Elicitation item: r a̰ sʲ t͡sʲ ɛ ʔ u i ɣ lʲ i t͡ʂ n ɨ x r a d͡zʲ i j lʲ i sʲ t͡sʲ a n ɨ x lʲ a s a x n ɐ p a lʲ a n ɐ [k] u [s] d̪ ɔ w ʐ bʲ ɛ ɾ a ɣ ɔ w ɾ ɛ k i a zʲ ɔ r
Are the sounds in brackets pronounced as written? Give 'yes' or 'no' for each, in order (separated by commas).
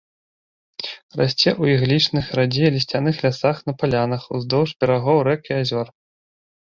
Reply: no, no